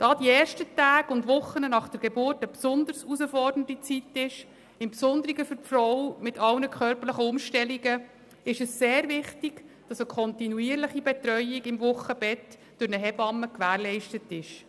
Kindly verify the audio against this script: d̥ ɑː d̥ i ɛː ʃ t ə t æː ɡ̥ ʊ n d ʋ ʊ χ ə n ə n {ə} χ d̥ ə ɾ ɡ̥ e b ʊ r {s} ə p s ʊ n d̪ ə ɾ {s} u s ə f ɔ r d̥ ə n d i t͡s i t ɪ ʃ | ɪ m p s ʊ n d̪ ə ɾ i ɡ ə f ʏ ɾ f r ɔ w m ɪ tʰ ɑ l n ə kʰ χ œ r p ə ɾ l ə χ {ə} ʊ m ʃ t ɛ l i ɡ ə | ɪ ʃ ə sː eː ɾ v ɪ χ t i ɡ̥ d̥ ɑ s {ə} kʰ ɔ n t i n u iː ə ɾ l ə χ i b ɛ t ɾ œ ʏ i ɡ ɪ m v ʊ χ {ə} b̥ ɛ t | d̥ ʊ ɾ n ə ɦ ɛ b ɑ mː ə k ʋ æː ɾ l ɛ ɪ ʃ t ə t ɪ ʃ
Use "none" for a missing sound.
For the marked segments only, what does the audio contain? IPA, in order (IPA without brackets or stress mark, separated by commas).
ɑ, t, s, ə, ə, ə